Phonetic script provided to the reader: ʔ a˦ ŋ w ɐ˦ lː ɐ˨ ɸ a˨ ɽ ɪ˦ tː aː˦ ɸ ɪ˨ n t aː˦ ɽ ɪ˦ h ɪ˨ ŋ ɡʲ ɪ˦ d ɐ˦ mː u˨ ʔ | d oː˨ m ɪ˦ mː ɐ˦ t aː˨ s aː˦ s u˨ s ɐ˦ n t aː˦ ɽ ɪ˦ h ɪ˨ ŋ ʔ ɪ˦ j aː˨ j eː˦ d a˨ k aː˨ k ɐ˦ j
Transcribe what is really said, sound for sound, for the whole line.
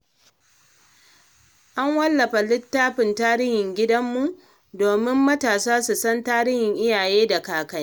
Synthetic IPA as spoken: ʔ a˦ ŋ w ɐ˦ lː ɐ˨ ɸ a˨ l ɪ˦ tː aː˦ ɸ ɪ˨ n t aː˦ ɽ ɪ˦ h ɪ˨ ŋ ɡʲ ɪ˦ d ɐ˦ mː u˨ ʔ | d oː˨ m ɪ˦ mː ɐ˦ t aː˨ s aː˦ s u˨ s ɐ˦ n t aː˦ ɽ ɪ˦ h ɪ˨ ŋ ʔ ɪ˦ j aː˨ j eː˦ d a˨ k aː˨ k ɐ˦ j

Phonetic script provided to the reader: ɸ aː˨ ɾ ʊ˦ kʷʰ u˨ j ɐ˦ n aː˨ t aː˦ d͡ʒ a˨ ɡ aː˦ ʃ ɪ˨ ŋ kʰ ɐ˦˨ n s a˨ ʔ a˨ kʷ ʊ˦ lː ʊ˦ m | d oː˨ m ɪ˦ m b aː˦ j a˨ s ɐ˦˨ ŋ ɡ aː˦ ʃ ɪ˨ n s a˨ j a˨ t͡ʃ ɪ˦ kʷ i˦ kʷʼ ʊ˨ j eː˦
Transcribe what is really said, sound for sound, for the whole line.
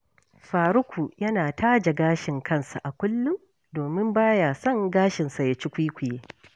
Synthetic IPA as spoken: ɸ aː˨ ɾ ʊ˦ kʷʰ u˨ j ɐ˦ n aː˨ t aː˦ d͡ʒ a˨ ɡ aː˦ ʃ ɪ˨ ŋ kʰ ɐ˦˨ n s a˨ ʔ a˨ kʷ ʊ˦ lː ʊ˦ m | d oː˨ m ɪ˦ m b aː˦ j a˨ s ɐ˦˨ ŋ ɡ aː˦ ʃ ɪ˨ n s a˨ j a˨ t͡ʃ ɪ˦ kʷ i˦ kʷ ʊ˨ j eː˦

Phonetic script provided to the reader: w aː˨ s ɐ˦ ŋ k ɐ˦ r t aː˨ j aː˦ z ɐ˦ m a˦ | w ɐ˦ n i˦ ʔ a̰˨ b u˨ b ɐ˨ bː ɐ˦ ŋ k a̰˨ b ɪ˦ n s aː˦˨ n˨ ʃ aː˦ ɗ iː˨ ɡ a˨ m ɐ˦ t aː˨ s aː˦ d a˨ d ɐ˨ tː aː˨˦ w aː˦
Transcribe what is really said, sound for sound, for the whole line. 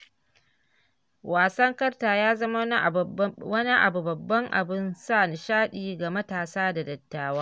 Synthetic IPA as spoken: w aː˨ s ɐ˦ ŋ k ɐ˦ r t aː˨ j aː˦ z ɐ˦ m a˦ | w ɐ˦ n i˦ ʔ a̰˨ b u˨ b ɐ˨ bː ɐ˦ ŋ ʔ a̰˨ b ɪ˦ n s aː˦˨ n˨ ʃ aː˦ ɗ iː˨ ɡ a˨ m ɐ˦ t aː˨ s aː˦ d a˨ d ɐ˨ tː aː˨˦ w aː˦

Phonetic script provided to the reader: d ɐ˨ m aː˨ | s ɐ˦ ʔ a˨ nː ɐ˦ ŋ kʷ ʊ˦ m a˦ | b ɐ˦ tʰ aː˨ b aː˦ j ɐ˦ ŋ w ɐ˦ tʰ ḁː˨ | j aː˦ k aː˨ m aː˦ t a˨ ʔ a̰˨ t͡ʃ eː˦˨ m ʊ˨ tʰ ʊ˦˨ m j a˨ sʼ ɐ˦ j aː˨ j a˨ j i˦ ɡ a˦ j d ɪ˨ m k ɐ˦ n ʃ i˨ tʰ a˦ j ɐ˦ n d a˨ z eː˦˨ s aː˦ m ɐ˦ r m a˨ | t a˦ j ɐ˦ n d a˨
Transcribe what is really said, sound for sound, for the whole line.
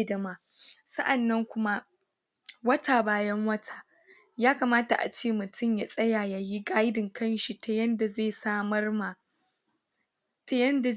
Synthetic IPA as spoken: d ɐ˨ m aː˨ | s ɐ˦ ʔ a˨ nː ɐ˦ ŋ kʷ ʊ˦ m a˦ | w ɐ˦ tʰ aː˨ b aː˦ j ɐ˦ ŋ w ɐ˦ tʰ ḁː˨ | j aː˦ k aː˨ m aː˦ t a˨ ʔ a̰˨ t͡ʃ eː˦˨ m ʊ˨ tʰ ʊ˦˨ m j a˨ sʼ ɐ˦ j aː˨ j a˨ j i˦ ɡ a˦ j d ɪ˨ ŋ k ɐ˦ n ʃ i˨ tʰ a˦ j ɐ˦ n d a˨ z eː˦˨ s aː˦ m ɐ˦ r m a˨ | t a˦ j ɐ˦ n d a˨

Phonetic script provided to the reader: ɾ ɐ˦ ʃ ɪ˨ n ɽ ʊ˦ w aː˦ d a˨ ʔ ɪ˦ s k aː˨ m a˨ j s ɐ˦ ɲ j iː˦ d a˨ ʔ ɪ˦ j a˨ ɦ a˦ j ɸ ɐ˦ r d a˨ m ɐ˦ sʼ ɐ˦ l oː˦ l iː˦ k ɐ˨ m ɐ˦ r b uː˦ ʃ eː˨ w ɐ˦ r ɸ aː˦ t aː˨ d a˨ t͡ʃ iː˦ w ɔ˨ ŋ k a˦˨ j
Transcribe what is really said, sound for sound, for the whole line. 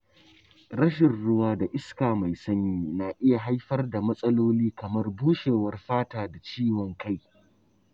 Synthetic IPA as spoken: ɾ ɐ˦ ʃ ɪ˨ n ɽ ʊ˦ w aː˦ d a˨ ʔ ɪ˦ s k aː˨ m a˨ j s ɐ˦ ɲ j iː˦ n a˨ ʔ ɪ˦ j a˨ ɦ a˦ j ɸ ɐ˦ r d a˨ m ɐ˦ sʼ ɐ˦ l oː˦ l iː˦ k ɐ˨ m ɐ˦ r b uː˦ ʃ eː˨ w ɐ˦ r ɸ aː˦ t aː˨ d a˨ t͡ʃ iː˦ w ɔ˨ ŋ k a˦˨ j

